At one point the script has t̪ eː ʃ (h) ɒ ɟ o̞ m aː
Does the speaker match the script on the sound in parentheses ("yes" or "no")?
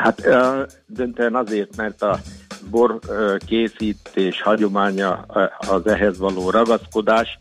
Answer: yes